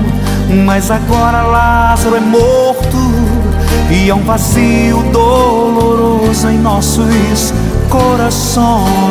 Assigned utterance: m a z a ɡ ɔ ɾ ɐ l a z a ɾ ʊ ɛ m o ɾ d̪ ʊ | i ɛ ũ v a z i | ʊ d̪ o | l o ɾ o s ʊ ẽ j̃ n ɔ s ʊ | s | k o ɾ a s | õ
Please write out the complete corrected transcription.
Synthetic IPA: m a z a ɡ ɔ ɾ ɐ l a z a ɾ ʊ ɛ m o ɾ t̪ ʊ | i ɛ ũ v a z i | ʊ d̪ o | l o ɾ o z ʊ ẽ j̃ n ɔ s ʊ | s | k o ɾ a s | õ